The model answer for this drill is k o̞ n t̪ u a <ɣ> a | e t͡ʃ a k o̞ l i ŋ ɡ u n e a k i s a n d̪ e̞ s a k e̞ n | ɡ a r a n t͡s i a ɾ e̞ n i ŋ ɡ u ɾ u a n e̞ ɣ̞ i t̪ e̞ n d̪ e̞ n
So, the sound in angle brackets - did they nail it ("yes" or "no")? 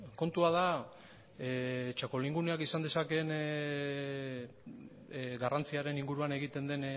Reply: no